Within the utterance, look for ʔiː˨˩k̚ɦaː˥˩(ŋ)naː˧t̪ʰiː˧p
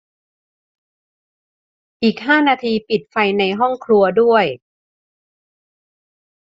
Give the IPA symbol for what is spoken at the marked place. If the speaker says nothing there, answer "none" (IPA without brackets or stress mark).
none